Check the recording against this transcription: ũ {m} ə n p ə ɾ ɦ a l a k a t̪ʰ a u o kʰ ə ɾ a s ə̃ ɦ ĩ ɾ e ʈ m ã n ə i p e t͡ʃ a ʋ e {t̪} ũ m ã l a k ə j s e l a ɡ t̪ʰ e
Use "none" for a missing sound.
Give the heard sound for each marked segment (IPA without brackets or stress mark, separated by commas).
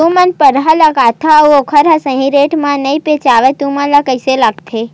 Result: m, t̪